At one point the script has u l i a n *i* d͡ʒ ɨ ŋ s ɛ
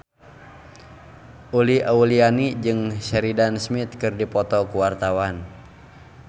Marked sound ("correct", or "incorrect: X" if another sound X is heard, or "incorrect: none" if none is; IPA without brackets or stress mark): correct